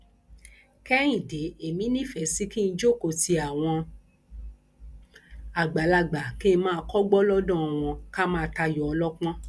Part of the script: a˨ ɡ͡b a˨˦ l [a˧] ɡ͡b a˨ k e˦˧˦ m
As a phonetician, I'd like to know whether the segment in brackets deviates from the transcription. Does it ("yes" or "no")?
no